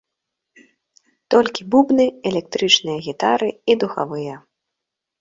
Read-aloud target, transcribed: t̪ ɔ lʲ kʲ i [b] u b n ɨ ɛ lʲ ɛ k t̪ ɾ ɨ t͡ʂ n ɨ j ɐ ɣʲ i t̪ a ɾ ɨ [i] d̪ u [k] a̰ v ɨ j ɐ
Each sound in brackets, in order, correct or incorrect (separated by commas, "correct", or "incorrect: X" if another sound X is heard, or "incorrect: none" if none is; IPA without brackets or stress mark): correct, correct, incorrect: x